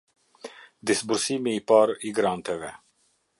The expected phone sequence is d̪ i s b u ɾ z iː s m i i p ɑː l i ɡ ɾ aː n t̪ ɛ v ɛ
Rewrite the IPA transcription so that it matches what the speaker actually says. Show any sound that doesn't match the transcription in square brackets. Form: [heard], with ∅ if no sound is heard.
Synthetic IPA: d̪ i s b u ɾ [s] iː [∅] m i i p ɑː [ɾ] i ɡ ɾ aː n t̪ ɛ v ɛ